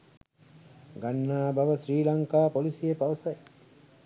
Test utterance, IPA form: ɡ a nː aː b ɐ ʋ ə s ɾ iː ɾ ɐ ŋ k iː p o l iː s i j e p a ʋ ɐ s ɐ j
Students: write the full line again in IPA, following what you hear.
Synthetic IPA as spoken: ɡ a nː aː b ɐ ʋ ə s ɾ iː l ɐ ŋ k aː p o l i s i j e p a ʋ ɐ s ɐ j